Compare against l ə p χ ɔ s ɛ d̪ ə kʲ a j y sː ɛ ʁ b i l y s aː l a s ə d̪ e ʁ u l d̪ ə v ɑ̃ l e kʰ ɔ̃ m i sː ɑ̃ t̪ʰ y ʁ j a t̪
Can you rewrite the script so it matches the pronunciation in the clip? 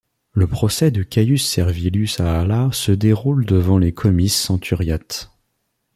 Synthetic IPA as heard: l ə p χ ɔ s ɛ d̪ ə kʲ a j y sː ɛ ʁ v i l y s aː l a s ə d̪ e ʁ u l d̪ ə v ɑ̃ l e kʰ ɔ m i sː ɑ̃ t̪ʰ y ʁ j a t̪